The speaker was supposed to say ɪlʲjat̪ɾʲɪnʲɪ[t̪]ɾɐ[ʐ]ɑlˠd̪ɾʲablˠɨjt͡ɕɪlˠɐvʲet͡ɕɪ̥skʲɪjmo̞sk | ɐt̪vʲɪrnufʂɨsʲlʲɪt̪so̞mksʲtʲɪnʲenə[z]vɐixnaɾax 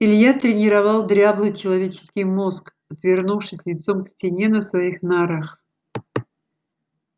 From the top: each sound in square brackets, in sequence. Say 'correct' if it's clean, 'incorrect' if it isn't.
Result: incorrect, incorrect, incorrect

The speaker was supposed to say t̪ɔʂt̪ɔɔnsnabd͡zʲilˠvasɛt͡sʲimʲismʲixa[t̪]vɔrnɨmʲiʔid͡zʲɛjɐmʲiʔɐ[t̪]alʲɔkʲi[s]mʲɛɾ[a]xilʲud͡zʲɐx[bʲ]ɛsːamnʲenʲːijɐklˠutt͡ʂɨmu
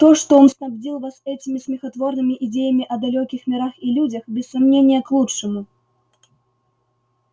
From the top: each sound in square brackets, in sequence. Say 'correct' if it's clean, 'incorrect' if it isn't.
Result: correct, incorrect, incorrect, correct, correct

